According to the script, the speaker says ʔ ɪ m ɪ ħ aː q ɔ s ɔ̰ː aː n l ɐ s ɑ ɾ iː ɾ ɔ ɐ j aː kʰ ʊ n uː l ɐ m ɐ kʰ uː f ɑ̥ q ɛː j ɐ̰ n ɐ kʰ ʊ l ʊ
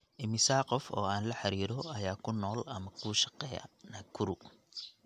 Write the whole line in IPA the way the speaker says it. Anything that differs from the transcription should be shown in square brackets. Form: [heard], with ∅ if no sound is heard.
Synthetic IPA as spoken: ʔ ɪ m ɪ [s] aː q ɔ [f] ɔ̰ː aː n l ɐ [ħ] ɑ ɾ iː ɾ ɔ ɐ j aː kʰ ʊ n [ɔː] l ɐ m ɐ kʰ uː [ʃ] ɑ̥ q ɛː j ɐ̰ n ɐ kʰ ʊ [ɾ] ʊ